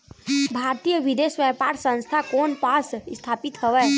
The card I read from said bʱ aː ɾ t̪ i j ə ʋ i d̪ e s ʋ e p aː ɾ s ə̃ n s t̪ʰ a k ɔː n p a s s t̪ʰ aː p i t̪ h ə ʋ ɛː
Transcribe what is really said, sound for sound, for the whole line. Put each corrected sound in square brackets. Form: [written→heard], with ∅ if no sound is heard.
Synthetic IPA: bʱ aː ɾ t̪ i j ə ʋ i d̪ e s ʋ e p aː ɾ s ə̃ n s t̪ʰ a k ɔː n p a s s t̪ʰ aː p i t̪ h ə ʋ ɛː